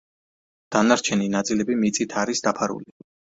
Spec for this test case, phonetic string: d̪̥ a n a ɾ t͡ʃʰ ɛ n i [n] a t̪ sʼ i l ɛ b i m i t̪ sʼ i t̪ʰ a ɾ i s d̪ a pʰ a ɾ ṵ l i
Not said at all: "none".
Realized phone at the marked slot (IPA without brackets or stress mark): n